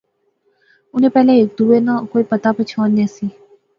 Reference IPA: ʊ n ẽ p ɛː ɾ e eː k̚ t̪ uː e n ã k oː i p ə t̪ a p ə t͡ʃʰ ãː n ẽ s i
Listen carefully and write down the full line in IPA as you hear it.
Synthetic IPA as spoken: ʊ n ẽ p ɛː l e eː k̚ d̪ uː e n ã k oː i p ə t̪ a p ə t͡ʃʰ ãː n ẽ s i